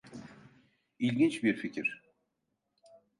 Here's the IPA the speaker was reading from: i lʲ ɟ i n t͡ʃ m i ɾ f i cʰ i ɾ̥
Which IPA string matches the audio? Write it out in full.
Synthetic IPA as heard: i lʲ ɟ i n t͡ʃ b i ɾ f i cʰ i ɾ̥